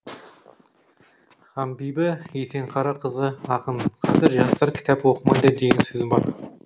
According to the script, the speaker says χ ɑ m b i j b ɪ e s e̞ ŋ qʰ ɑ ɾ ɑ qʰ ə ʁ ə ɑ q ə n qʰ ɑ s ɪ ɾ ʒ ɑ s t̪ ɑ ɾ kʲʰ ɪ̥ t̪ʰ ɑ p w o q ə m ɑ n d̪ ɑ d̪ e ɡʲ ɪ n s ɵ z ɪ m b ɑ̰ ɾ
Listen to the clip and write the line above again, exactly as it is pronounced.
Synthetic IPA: χ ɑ m b i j b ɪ e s e̞ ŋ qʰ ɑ ɾ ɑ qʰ ə z ə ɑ q ə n qʰ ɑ z ɪ ɾ ʒ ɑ s t̪ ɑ ɾ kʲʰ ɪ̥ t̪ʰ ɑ p w o q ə m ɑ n d̪ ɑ d̪ e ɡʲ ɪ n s ɵ z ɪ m b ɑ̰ ɾ